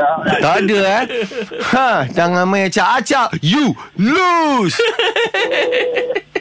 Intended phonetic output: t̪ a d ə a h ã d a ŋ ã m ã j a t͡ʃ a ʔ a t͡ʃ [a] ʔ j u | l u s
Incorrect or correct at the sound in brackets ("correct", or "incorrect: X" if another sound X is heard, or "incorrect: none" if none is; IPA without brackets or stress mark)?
correct